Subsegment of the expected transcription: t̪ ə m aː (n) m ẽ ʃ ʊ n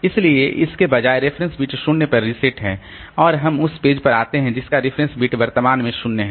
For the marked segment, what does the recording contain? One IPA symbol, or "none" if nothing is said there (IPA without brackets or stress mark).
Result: n